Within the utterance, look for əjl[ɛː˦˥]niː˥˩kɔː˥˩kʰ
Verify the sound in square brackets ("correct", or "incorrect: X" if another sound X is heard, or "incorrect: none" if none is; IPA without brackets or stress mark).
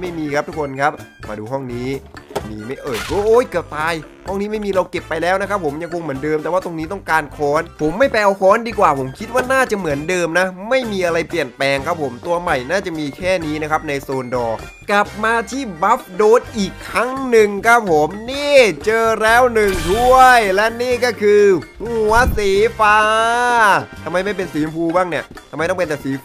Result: incorrect: ɛ˦˥